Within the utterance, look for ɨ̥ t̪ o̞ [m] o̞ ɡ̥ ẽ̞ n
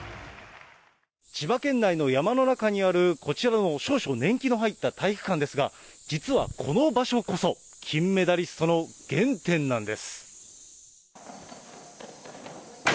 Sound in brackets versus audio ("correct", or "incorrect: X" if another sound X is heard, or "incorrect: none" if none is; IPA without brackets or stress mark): incorrect: n